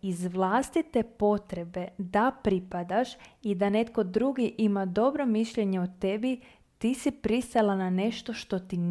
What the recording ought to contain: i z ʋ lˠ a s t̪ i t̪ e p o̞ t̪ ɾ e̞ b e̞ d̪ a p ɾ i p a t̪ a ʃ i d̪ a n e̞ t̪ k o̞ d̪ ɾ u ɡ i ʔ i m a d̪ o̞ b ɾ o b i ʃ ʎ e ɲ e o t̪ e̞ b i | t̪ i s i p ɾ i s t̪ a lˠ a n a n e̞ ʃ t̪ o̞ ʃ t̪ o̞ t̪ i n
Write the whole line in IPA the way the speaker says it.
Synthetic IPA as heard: i z ʋ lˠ a s t̪ i t̪ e p o̞ t̪ ɾ e̞ b e̞ d̪ a p ɾ i p a d̪ a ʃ i d̪ a n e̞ t̪ k o̞ d̪ ɾ u ɡ i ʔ i m a d̪ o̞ b ɾ o m i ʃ ʎ e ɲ e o t̪ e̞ b i | t̪ i s i p ɾ i s t̪ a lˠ a n a n e̞ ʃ t̪ o̞ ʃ t̪ o̞ t̪ i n